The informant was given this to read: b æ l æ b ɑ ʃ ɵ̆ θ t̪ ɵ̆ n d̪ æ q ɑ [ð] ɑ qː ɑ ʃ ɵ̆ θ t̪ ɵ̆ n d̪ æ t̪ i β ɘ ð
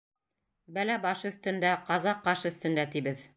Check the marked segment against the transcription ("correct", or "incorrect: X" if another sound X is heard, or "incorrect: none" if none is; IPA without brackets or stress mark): incorrect: z